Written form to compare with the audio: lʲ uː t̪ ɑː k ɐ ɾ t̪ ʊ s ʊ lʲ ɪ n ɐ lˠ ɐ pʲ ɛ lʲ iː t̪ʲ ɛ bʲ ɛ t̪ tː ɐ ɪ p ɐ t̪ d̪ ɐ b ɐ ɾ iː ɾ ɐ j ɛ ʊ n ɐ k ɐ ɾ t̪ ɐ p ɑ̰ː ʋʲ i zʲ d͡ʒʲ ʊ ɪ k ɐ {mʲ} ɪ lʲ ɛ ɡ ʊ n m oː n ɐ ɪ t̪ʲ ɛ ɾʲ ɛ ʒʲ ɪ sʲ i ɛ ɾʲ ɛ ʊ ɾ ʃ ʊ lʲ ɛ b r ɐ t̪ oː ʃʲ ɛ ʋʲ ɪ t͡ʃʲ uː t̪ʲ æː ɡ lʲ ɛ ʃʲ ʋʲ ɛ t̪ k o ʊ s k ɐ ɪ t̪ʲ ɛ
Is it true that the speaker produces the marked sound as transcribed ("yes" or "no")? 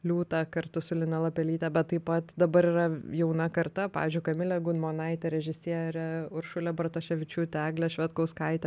yes